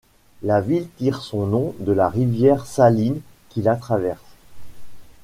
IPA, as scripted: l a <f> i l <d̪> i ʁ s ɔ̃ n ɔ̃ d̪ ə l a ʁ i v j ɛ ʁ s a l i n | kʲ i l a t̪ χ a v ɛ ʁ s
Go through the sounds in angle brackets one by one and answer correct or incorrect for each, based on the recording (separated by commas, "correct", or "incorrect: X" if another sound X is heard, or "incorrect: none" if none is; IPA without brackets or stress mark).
incorrect: v, incorrect: t̪